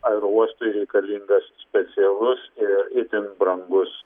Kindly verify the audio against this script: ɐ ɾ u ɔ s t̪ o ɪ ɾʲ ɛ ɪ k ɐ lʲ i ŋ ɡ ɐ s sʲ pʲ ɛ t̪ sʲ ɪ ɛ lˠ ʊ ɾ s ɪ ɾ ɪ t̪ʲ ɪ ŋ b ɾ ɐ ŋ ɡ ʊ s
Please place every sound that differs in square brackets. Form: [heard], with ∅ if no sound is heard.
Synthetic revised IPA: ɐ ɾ u ɔ s t̪ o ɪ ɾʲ ɛ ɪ k ɐ lʲ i ŋ ɡ ɐ s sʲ pʲ ɛ t̪ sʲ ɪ ɛ lˠ ʊ [∅] s ɪ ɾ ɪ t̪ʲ ɪ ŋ b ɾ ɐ ŋ ɡ ʊ s